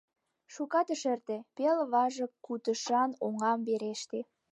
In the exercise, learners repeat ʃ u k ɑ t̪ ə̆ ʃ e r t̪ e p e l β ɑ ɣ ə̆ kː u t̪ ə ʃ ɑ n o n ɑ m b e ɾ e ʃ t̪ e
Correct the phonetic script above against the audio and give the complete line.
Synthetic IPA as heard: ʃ u k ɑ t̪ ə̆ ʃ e r t̪ e p e l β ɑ ʒ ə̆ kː u t̪ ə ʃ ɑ n o ŋ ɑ m b e ɾ e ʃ t̪ e

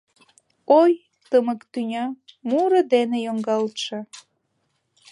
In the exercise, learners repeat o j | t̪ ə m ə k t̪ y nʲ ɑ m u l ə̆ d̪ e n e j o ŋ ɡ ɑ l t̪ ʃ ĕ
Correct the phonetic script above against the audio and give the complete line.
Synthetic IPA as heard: o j | t̪ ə m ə k t̪ y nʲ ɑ m u ɾ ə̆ d̪ e n e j o ŋ ɡ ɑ l t̪ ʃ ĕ

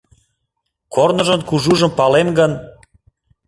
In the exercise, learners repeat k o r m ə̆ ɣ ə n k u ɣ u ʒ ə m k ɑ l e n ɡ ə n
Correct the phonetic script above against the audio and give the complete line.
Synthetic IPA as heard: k o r n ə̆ ʒ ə n k u ʒ u ʒ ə m p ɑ l e m ɡ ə n

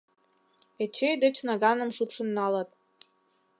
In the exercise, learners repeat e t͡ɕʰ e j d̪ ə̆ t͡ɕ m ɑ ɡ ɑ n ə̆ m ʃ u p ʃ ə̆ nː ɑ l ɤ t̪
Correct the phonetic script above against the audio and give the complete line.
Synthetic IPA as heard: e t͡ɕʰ e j d̪ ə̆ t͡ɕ n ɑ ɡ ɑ n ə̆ m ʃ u p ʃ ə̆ nː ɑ l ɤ t̪

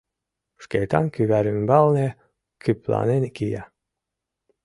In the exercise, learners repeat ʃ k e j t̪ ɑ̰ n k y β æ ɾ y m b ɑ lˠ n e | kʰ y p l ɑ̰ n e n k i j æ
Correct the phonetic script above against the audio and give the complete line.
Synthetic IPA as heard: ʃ k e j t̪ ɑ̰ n k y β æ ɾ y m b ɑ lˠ n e | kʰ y p l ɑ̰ n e n k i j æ

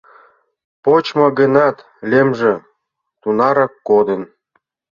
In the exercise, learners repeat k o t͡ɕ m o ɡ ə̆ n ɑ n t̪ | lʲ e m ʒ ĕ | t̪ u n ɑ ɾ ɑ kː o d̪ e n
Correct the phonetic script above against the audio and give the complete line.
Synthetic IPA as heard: p o t͡ɕ m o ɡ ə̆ n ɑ t̪ | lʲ e m ʒ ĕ | t̪ u n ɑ ɾ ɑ kː o d̪ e n

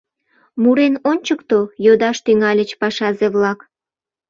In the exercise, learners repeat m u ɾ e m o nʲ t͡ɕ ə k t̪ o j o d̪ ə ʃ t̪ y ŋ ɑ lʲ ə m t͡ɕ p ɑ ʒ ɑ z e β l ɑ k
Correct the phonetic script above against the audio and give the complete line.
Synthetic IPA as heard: m u ɾ e n o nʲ t͡ɕ ə k t̪ o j o d̪ ɑ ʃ t̪ y ŋ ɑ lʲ ə t͡ɕ p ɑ ʃ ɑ z e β l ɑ k

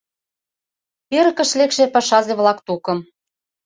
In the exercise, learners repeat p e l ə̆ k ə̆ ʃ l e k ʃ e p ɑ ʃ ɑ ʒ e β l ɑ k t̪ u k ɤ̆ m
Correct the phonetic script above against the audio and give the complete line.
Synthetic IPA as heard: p e ɾ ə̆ k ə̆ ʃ l e k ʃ e p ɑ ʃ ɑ z e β l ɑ k t̪ u k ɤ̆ m

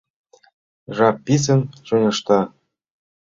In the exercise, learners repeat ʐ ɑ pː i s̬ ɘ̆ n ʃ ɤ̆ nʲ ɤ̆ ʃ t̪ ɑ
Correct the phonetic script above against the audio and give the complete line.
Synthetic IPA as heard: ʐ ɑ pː i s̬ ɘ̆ n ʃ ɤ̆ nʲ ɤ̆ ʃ t̪ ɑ

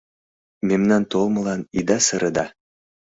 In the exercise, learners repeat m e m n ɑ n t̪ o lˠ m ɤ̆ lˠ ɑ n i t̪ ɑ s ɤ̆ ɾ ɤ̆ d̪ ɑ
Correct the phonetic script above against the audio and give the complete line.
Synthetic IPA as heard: m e m n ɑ n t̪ o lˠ m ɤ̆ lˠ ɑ n i d̪ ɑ s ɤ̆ ɾ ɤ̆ d̪ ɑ

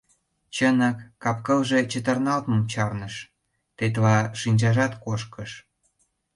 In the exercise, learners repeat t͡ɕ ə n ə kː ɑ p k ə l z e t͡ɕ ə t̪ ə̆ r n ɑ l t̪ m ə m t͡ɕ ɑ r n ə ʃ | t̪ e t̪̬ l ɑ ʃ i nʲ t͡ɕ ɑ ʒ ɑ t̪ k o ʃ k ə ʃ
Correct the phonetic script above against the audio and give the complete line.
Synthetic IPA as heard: t͡ɕ ə n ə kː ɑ p k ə l ʒ e t͡ɕ ə t̪ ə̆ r n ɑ l t̪ m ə m t͡ɕ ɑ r n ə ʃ | t̪ e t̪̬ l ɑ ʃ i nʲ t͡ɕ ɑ ʒ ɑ t̪ k o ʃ k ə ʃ

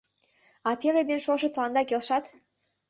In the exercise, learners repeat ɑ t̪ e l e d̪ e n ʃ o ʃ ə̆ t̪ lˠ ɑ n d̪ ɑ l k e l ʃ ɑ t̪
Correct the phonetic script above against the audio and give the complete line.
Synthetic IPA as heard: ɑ t̪ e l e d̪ e n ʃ o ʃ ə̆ t̪ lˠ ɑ n d̪ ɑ k e l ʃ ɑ t̪

